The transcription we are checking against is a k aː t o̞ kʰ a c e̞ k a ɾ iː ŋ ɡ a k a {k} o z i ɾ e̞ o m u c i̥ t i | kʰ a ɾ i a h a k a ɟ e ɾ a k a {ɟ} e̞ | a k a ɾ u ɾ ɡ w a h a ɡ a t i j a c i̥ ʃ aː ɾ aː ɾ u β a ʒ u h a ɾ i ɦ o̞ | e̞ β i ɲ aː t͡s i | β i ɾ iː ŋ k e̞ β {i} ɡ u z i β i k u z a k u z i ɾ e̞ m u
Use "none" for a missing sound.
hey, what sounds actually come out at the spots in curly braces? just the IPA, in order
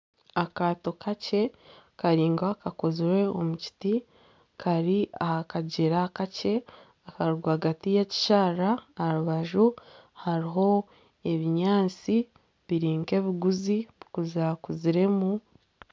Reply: k, c, i

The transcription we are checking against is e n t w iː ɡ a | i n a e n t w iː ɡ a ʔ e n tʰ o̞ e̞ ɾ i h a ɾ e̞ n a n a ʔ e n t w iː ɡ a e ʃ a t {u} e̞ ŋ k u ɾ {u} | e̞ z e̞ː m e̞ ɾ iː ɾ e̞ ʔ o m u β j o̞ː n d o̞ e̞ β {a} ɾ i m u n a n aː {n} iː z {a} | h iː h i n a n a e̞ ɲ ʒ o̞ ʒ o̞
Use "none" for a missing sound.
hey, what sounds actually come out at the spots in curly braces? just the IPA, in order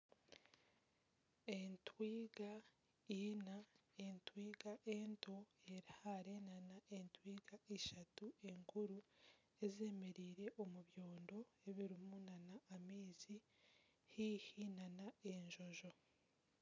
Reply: u, u, i, m, i

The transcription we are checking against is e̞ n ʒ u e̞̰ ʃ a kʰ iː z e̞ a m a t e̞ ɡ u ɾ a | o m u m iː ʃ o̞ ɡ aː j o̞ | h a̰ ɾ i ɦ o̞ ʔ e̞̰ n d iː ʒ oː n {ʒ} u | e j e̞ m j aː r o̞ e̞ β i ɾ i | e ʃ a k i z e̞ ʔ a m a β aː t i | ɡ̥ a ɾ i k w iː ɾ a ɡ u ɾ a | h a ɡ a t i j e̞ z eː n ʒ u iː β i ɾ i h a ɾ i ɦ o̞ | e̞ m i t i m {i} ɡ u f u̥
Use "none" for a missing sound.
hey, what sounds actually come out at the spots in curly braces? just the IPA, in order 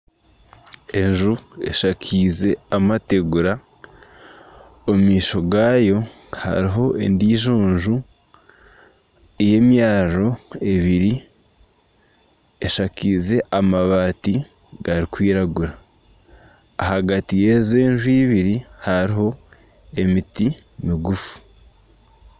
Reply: ʒ, i

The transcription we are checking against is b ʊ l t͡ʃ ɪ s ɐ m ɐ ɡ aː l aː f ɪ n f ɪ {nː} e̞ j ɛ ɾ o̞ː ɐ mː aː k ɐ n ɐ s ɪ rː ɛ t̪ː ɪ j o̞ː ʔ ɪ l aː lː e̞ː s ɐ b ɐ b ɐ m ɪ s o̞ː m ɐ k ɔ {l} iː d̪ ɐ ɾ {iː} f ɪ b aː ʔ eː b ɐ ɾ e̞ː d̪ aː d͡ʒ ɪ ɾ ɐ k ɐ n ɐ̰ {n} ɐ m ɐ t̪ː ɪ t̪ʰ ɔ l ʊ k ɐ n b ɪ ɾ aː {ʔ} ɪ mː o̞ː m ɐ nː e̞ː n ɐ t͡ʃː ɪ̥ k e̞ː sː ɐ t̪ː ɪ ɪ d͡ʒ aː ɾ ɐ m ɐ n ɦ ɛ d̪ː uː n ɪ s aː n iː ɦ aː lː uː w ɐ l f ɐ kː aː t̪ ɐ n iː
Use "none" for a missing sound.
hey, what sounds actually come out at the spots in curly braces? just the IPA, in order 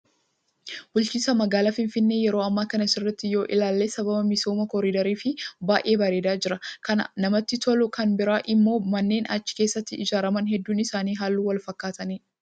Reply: nː, ɾ, iː, n, ʔ

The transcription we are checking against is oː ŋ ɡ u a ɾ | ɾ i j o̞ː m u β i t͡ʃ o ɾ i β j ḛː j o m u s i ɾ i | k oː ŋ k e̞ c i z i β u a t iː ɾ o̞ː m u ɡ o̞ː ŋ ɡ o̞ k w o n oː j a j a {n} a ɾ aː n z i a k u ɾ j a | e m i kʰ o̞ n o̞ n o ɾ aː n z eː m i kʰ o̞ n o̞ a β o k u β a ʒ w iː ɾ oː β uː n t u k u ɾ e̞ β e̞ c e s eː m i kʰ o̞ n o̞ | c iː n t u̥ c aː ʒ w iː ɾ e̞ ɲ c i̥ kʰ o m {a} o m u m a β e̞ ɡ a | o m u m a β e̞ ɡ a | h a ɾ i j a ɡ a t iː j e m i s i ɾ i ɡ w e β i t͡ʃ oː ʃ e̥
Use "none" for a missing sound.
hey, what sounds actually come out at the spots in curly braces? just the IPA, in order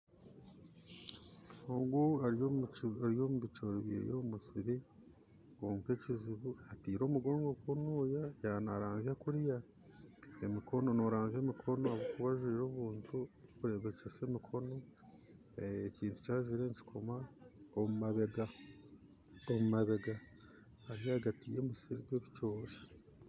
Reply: n, a

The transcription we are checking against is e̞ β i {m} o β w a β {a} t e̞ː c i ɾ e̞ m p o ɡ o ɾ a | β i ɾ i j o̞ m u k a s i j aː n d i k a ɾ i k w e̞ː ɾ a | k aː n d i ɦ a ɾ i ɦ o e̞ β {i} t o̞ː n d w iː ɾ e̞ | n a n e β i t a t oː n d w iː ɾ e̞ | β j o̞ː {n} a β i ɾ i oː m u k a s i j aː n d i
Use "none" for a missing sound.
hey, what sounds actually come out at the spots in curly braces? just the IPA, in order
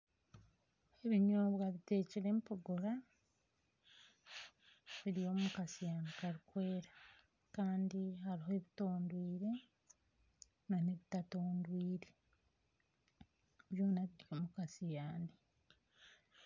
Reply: ɲ, i, i, n

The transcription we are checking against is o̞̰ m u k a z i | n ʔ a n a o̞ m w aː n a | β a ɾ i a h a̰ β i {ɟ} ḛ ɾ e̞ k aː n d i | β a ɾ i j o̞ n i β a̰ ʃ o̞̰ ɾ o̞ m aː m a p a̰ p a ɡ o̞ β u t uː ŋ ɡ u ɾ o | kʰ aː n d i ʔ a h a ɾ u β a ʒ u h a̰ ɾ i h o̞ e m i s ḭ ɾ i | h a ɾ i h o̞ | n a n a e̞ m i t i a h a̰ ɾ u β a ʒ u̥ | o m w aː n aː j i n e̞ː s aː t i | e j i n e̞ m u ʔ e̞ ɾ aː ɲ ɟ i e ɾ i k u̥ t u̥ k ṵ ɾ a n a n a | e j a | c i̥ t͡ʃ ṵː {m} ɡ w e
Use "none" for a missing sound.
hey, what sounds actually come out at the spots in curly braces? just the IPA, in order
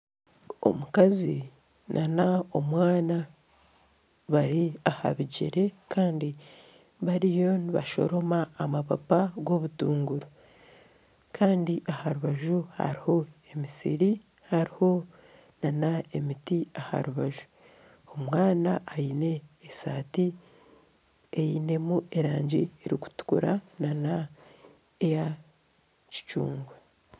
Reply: ɟ, ŋ

